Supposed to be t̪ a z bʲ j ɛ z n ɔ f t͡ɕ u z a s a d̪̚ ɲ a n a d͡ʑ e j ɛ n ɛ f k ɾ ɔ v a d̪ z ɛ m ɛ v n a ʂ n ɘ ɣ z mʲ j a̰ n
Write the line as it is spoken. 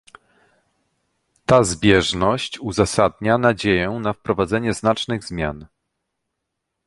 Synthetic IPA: t̪ a z bʲ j ɛ ʐ n ɔ ɕ t͡ɕ u z a s a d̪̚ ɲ a n a d͡ʑ e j ɛ n a f p ɾ ɔ v a d̪ z ɛ ɲ ɛ z n a t͡ʂ n ɘ ɣ z mʲ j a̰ n